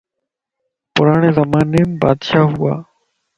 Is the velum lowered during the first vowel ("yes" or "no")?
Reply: no